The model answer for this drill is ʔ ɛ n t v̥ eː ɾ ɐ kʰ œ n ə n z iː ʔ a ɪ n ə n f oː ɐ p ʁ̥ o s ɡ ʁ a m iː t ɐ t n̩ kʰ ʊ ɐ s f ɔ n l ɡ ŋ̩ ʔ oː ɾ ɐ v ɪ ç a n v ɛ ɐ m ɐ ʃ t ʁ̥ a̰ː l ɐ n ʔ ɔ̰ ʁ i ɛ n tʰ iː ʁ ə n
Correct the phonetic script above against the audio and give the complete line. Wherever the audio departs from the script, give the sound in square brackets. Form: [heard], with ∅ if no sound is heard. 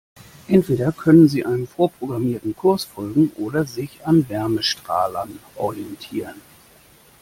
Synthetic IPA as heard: ʔ ɛ n t v̥ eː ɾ ɐ kʰ œ n ə n z iː ʔ a ɪ n ə n f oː ɐ p ʁ̥ o [∅] ɡ ʁ a m iː [∅] ɐ t n̩ kʰ ʊ ɐ s f ɔ [∅] l ɡ ŋ̩ ʔ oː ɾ ɐ [z] ɪ ç a n v ɛ ɐ m [ə] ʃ t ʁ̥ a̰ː l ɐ n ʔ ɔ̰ ʁ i ɛ n tʰ iː ʁ ə n